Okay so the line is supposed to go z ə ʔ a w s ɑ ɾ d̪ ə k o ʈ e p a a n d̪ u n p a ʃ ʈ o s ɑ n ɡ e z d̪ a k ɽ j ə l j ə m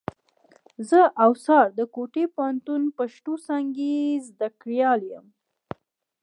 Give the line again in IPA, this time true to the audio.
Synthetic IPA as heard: z ə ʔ a w s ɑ ɾ d̪ ə k o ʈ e p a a n t̪ u n p a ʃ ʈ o s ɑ ŋ ɡ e z d̪ a k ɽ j ɑ l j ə m